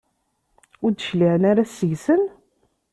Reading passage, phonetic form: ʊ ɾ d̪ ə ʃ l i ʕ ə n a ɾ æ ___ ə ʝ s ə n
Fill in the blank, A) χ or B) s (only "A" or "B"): B